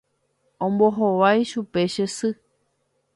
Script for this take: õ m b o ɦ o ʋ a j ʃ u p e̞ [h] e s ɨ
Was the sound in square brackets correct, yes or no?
no